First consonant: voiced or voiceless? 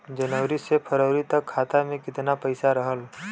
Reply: voiced